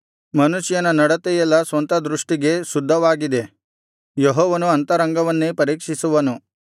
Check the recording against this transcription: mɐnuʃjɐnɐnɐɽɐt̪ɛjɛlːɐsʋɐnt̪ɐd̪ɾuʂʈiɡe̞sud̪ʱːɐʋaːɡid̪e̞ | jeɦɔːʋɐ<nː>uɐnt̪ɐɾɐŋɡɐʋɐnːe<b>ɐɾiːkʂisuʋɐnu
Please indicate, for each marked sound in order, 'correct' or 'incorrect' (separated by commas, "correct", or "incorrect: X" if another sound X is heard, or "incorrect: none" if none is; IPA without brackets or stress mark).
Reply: incorrect: n, incorrect: p